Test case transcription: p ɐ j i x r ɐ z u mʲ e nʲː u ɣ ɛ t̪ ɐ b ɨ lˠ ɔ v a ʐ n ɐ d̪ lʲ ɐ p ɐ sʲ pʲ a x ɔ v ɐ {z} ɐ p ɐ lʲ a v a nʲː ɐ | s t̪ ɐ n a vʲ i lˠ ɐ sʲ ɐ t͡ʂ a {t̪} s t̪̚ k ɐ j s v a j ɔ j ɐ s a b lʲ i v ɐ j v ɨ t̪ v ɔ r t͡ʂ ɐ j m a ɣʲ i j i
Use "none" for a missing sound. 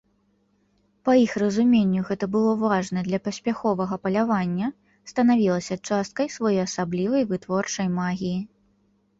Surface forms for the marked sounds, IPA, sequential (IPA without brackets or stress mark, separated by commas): ɣ, none